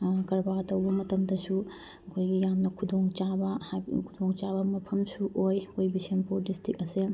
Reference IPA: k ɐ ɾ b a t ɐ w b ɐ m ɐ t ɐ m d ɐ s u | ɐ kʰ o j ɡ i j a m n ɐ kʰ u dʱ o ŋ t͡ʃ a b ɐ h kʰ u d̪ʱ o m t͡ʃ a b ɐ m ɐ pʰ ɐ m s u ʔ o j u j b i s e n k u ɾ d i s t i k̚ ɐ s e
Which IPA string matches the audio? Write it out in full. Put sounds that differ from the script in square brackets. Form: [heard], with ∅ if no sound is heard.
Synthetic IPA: k ɐ ɾ b a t ɐ w b ɐ m ɐ t ɐ m d ɐ s u | ɐ kʰ o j ɡ i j a m n ɐ kʰ u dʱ o ŋ t͡ʃ a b ɐ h kʰ u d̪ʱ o [ŋ] t͡ʃ a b ɐ m ɐ pʰ ɐ m s u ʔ o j [o] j b i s e n [p] u ɾ d i s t i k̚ ɐ s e